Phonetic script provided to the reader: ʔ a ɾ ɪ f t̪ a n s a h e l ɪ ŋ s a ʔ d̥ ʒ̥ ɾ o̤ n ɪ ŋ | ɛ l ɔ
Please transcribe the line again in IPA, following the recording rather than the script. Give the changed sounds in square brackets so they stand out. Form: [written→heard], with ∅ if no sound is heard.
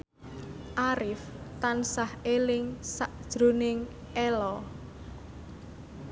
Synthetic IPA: ʔ a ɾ ɪ f t̪ a n s a h e l ɪ ŋ s a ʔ d̥ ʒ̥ ɾ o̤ n ɪ ŋ | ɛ l ɔ